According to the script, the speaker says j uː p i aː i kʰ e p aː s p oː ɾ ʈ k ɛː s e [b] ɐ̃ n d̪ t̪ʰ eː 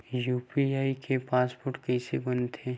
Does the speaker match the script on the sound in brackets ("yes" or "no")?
yes